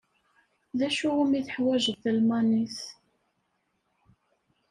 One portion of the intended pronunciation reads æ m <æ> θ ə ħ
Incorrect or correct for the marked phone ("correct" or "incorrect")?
incorrect